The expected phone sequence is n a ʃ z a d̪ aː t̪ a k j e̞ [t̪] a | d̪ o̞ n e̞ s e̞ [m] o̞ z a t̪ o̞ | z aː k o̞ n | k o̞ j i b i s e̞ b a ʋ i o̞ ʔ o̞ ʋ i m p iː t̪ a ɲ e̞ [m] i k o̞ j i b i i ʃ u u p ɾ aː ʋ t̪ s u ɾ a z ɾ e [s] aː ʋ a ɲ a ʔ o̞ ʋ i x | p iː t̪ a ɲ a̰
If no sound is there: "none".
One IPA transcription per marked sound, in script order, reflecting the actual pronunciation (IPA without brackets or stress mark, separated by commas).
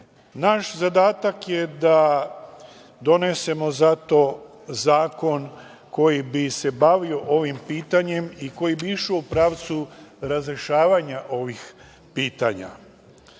d̪, m, m, ʃ